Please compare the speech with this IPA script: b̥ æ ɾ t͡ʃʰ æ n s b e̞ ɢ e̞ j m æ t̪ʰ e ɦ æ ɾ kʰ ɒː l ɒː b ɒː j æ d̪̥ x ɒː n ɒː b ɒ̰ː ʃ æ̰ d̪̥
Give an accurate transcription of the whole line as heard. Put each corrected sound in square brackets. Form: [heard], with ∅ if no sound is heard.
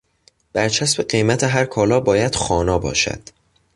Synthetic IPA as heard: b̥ æ ɾ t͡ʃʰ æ [∅] s b e̞ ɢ e̞ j m æ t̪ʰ e ɦ æ ɾ kʰ ɒː l ɒː b ɒː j æ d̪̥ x ɒː n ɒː b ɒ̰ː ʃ æ̰ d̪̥